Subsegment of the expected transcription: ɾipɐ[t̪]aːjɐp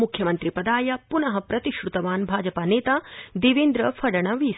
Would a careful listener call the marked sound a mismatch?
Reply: yes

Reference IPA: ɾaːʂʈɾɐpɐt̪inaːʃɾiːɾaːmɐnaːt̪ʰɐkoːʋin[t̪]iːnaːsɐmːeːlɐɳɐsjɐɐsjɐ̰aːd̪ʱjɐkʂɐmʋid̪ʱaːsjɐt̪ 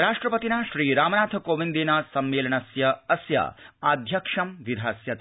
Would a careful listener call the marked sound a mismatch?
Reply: yes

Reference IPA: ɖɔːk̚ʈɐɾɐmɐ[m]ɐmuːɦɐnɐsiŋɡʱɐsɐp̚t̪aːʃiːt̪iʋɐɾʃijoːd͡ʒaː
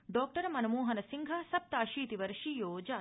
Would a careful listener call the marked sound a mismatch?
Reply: yes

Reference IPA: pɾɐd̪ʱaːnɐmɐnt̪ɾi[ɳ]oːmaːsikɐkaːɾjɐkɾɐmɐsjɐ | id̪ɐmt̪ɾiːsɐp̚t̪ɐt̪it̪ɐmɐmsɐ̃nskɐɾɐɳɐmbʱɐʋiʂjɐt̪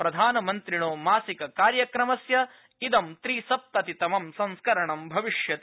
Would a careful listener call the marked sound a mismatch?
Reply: no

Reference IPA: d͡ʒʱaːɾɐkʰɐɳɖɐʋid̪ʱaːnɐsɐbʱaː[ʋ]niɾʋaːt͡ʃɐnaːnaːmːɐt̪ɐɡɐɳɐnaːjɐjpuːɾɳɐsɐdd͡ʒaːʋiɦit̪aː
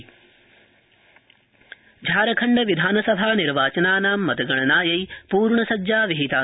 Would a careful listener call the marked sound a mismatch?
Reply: yes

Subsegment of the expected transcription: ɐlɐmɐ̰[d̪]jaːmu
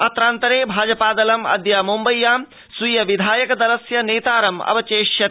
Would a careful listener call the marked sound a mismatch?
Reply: no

